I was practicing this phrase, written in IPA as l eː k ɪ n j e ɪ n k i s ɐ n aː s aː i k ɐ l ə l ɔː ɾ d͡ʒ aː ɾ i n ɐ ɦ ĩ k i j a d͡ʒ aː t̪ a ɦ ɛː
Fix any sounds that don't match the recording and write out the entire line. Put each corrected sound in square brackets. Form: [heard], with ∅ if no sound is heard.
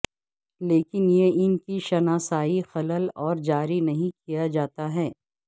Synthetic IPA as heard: l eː k ɪ n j e ɪ n k i [ʃ] ɐ n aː s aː i [x] ɐ l ə l ɔː ɾ d͡ʒ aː ɾ i n ɐ ɦ ĩ k i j a d͡ʒ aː t̪ a ɦ ɛː